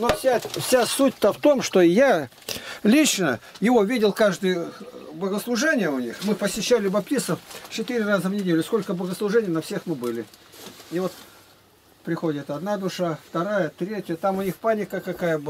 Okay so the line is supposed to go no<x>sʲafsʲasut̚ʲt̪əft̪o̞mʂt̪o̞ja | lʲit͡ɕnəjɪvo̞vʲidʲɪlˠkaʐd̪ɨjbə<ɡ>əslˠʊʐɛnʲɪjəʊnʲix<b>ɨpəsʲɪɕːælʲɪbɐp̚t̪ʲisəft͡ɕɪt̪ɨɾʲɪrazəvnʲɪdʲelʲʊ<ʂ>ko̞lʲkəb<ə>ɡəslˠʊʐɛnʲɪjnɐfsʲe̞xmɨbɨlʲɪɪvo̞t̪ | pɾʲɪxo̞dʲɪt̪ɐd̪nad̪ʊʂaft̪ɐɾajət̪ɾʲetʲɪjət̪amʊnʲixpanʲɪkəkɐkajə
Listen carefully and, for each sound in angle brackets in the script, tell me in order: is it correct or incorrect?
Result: incorrect, correct, incorrect, incorrect, correct

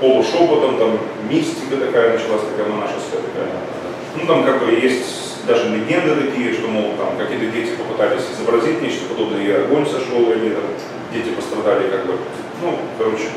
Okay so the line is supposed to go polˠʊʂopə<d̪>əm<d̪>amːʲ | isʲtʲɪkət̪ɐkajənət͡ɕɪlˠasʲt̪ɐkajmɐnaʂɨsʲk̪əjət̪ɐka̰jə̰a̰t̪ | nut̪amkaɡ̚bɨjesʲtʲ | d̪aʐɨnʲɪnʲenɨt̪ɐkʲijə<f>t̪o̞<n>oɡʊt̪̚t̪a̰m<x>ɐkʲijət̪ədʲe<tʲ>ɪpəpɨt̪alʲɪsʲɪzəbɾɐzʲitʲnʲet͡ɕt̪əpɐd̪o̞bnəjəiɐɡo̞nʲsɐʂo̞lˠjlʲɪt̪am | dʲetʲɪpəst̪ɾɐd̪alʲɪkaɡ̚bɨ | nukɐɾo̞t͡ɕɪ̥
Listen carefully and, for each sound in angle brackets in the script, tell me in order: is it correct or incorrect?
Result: incorrect, incorrect, incorrect, incorrect, incorrect, correct

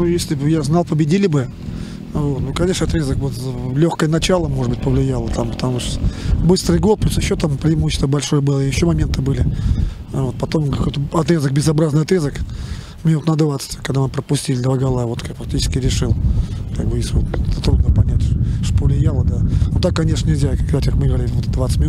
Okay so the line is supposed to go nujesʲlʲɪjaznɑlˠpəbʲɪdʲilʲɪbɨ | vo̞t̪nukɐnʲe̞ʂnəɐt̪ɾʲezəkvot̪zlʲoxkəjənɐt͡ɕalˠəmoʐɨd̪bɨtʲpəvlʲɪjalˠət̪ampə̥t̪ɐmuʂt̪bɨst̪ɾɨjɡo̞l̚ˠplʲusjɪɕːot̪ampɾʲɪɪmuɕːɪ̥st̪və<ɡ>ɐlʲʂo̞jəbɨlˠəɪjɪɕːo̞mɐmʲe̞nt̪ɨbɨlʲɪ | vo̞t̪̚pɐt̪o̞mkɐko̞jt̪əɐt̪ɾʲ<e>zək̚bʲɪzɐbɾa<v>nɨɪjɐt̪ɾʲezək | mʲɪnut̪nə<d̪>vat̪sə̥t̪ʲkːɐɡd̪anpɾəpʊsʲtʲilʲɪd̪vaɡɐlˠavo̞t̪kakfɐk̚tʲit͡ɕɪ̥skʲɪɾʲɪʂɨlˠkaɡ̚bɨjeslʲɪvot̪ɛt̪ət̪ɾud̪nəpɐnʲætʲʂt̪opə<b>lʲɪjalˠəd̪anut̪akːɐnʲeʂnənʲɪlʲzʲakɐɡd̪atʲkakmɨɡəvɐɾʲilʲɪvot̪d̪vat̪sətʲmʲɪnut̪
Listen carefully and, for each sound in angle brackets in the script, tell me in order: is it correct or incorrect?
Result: incorrect, correct, incorrect, correct, incorrect

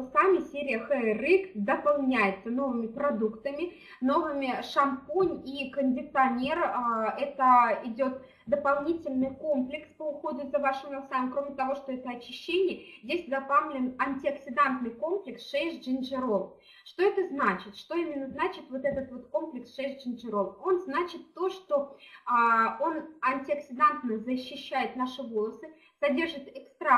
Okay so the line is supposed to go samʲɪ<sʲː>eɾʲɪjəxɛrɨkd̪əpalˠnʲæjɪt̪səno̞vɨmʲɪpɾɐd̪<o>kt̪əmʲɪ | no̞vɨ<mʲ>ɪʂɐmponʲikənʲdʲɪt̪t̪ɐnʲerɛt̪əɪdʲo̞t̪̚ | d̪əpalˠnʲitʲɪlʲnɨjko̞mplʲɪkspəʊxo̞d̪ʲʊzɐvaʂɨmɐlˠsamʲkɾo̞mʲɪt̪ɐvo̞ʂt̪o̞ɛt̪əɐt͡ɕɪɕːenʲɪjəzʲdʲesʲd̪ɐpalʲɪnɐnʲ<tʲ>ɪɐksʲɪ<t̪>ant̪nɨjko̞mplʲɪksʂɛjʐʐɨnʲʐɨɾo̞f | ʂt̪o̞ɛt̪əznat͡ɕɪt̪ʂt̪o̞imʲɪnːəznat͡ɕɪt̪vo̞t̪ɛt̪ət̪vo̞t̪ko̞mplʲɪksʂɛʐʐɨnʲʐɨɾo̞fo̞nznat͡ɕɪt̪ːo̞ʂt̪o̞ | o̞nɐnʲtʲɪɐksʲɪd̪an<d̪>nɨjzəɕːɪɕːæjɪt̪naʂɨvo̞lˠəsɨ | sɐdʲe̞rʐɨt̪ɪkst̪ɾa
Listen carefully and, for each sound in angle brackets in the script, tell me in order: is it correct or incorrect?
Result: incorrect, incorrect, correct, correct, incorrect, incorrect

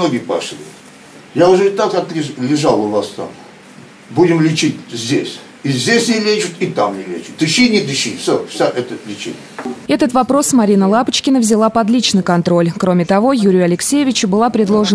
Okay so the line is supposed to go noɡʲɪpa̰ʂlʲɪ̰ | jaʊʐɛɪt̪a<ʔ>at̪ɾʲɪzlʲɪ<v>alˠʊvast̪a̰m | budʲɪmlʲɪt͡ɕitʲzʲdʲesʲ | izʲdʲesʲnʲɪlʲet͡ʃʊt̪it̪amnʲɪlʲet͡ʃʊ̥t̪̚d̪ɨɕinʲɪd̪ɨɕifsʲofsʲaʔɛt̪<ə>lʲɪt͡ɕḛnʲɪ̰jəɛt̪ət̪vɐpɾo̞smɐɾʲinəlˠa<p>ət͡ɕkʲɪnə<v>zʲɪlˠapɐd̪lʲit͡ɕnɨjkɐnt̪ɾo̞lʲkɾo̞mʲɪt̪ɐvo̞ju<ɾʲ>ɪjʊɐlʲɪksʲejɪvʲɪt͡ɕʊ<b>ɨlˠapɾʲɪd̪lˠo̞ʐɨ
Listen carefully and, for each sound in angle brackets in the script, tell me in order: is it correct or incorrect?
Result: incorrect, incorrect, correct, correct, correct, correct, correct

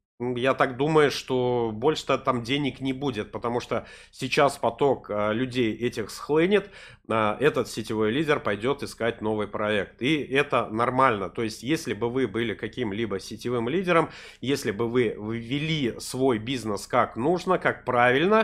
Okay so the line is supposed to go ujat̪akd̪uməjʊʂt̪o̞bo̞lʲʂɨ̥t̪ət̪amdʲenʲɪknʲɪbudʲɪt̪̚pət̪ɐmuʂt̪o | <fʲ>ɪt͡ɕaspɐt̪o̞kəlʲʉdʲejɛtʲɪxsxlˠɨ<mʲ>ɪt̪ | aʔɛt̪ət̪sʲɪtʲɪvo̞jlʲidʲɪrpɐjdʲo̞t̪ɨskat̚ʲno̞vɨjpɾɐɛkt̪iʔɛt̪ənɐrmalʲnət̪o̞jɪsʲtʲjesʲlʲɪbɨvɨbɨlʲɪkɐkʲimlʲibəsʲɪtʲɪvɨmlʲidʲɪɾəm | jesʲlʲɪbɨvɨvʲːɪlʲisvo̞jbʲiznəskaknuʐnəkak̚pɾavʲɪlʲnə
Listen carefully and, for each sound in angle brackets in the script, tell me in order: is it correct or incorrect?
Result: incorrect, incorrect

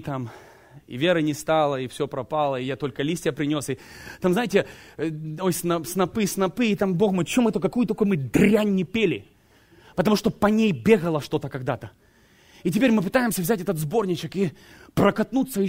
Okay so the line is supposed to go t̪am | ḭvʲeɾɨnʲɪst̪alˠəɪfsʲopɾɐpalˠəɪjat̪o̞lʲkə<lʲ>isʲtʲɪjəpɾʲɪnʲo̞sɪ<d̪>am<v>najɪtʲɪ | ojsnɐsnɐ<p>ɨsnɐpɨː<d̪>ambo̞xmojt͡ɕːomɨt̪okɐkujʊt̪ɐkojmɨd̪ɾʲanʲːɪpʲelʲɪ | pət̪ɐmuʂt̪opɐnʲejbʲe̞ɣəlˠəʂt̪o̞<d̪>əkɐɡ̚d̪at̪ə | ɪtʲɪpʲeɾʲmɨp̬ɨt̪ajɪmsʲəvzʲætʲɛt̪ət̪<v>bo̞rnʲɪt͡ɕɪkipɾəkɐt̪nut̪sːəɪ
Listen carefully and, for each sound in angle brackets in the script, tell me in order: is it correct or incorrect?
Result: correct, incorrect, incorrect, correct, incorrect, incorrect, incorrect

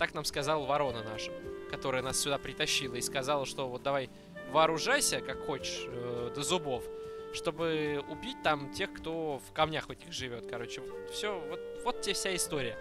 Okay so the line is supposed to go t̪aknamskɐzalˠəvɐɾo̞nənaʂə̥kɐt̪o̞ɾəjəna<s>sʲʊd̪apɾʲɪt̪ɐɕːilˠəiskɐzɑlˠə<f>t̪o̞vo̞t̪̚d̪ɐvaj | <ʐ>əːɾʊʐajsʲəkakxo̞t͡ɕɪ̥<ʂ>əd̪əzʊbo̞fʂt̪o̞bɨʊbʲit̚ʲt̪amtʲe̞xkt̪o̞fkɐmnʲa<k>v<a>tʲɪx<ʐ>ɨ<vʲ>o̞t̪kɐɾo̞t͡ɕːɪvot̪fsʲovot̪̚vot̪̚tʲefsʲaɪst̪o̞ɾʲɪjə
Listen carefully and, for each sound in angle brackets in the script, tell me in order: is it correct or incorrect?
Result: correct, incorrect, incorrect, correct, incorrect, incorrect, correct, correct

